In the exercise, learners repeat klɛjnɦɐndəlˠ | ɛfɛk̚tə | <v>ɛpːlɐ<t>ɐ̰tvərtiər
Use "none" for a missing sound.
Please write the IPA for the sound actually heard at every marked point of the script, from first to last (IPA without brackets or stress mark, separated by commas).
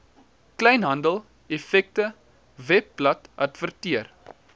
v, t